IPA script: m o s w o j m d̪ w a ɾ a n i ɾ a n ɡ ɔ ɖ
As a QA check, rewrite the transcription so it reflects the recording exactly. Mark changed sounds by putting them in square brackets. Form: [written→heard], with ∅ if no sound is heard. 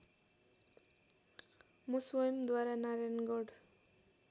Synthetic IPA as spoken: m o s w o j m d̪ w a ɾ a n [i→a] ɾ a n ɡ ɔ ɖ